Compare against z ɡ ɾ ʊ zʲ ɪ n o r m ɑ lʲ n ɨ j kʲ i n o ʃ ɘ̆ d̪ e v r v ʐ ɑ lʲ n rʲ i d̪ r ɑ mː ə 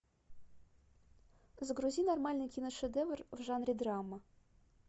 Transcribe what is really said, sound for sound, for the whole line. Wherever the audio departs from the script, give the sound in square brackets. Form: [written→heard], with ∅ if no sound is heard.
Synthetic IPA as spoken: z ɡ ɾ [ʊ→u] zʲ [ɪ→i] n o r m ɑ lʲ n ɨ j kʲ i n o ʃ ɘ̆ d̪ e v r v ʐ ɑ [lʲ→∅] n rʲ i d̪ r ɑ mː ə